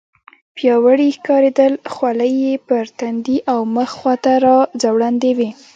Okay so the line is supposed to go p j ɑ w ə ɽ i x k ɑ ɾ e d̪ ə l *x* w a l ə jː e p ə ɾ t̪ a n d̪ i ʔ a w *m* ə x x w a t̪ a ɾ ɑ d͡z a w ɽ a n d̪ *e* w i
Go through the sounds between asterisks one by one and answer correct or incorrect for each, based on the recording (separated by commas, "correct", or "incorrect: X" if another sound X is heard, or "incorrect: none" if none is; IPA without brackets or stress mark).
correct, correct, correct